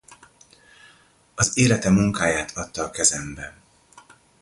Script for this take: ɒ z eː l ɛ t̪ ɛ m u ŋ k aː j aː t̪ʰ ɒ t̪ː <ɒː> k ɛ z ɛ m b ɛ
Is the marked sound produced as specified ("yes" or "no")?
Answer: yes